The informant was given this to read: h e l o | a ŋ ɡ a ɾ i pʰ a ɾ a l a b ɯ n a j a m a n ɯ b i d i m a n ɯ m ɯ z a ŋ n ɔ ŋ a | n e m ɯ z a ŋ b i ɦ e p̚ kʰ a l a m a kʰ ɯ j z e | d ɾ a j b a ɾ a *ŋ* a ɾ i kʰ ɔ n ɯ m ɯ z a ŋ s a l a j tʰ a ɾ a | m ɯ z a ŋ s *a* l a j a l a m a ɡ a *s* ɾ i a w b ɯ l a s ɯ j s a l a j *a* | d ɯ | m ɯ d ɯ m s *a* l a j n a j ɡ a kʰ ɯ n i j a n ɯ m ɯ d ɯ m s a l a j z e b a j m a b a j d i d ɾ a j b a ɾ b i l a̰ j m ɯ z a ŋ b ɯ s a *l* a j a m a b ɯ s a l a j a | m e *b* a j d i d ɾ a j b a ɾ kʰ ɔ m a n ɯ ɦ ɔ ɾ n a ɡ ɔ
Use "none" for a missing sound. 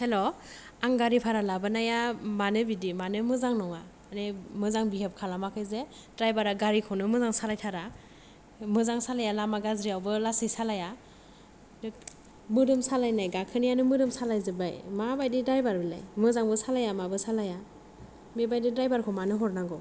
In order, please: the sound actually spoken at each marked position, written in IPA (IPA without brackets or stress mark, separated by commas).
ɡ, a, z, a, a, l, b